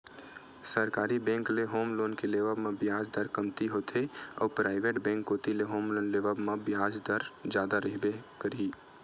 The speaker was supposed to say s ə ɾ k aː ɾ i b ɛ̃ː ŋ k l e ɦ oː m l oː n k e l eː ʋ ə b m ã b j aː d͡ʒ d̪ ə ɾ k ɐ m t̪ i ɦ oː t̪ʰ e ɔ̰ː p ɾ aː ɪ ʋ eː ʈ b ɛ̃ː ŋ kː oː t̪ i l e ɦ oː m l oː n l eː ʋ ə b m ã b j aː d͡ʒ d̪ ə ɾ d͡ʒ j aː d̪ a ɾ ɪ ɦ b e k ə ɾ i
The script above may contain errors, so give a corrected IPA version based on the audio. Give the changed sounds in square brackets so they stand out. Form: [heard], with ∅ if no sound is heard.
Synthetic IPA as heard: s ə ɾ k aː ɾ i b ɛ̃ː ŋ k l e ɦ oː m l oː n k e l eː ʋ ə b m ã b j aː d͡ʒ d̪ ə ɾ k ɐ m t̪ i ɦ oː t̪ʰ e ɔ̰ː p ɾ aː ɪ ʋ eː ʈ b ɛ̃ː ŋ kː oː t̪ i l e ɦ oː m l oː n l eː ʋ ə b m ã b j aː d͡ʒ d̪ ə ɾ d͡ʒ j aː d̪ a ɾ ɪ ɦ b e k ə ɾ i